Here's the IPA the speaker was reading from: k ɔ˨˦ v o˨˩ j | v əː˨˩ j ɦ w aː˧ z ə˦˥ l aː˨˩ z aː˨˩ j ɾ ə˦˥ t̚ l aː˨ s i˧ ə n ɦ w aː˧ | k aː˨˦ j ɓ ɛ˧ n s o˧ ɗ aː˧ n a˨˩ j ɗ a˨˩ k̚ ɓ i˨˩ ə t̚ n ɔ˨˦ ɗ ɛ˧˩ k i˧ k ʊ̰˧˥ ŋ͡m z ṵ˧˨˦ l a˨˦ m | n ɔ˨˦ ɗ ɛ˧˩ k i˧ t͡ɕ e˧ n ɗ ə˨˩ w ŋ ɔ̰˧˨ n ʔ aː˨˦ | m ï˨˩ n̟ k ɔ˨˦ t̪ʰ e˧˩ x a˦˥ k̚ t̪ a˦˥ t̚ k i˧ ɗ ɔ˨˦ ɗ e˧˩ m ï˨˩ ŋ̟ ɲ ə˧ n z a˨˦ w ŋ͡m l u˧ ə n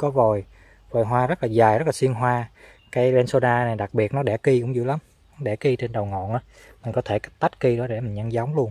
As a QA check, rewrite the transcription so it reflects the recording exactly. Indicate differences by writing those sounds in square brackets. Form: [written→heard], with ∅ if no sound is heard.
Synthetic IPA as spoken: k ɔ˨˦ v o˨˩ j | v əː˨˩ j ɦ w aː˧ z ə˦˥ l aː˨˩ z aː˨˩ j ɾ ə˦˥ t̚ l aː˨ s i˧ ə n ɦ w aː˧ | k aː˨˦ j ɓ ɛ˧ n s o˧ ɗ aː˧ n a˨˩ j ɗ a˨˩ k̚ ɓ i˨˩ ə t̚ n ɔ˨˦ ɗ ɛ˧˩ k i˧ k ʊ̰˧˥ ŋ͡m z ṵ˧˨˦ l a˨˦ m | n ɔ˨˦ ɗ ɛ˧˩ k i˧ t͡ɕ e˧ n ɗ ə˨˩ w ŋ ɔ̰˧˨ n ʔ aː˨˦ | m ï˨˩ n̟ k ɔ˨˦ t̪ʰ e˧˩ [x→k] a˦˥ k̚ t̪ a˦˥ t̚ k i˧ ɗ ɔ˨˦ ɗ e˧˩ m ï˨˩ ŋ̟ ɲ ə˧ n z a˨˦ w ŋ͡m l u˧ ə n

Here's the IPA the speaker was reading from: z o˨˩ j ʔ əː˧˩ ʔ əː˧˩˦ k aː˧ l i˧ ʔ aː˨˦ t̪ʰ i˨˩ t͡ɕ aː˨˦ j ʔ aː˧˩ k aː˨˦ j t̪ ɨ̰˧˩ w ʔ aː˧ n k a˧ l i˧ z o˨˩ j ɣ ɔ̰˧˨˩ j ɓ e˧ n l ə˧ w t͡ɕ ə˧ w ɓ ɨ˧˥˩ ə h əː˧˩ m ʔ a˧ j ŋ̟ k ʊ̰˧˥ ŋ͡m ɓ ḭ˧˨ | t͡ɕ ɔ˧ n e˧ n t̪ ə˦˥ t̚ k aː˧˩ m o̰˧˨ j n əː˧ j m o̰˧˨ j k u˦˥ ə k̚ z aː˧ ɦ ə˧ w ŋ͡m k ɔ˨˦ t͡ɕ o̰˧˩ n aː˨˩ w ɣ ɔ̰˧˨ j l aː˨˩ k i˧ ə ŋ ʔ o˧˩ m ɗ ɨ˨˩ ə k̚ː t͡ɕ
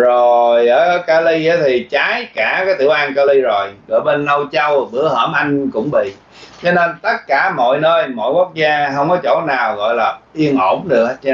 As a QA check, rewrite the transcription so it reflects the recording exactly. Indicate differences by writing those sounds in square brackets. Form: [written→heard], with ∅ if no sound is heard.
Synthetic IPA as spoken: z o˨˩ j ʔ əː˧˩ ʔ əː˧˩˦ k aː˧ l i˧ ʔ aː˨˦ t̪ʰ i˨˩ t͡ɕ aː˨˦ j [ʔ→k] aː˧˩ k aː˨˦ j t̪ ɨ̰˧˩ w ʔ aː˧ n k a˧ l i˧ z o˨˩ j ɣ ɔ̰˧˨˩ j ɓ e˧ n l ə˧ w t͡ɕ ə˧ w ɓ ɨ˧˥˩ ə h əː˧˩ m ʔ a˧ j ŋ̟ k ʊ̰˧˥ ŋ͡m ɓ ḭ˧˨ | t͡ɕ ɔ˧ n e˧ n t̪ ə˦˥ t̚ k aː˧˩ m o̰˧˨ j n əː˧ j m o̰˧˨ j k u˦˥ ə k̚ z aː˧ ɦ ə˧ w ŋ͡m k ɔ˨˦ t͡ɕ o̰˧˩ n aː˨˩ w ɣ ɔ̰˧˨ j l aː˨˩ [k→ʔ] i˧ ə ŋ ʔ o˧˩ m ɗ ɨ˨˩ ə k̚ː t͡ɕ

